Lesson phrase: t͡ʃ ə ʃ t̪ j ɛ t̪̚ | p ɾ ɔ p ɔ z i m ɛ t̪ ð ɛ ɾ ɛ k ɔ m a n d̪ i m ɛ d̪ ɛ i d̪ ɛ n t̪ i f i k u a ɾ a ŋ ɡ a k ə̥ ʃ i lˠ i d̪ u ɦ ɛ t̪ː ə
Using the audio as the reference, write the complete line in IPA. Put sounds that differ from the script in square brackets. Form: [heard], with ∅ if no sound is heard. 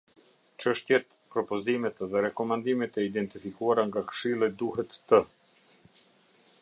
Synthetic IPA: t͡ʃ ə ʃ t̪ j ɛ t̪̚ | p ɾ ɔ p ɔ z i m ɛ t̪ ð ɛ ɾ ɛ k ɔ m a n d̪ i m ɛ [t̪] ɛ i d̪ ɛ n t̪ i f i k u a ɾ a ŋ ɡ a k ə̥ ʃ i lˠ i d̪ u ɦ ɛ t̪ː ə